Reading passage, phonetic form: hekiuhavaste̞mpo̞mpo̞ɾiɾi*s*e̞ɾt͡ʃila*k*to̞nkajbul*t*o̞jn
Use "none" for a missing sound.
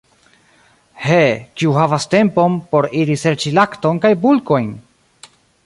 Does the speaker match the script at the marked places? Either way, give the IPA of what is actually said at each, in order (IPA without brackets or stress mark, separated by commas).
s, k, k